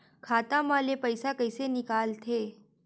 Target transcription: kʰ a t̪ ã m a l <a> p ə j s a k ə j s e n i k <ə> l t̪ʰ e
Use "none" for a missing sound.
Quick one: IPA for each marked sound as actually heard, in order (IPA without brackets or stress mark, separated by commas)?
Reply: e, a